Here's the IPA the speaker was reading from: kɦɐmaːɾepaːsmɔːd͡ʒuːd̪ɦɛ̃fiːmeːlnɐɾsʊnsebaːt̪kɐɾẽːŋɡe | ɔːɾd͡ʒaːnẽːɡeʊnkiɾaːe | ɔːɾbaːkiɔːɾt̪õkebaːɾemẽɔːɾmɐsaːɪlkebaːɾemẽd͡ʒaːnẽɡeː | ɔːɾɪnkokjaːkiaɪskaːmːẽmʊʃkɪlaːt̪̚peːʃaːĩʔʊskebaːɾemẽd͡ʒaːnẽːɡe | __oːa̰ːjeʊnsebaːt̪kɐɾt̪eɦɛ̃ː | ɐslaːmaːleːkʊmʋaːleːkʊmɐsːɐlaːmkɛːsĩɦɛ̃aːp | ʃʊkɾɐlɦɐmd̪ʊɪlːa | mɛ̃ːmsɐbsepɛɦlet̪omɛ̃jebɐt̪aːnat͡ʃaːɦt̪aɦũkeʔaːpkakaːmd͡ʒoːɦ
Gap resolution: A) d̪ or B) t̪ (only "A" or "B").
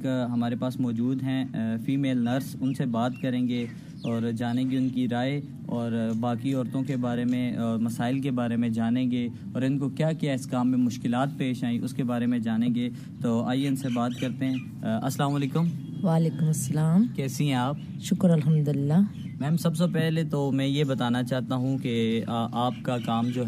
B